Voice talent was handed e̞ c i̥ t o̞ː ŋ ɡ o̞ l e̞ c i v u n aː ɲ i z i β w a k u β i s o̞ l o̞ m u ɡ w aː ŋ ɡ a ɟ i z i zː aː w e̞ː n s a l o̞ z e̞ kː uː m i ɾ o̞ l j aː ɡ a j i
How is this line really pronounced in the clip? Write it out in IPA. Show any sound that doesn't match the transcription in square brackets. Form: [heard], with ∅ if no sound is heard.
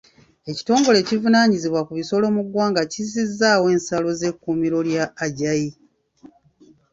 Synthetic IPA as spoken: e̞ c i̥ t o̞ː ŋ ɡ o̞ l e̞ c i v u n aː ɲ i z i β w a k u β i s o̞ l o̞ m u ɡ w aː ŋ ɡ a [c] i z i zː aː w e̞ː n s a l o̞ z e̞ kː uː m i ɾ o̞ l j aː [ɟ] a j i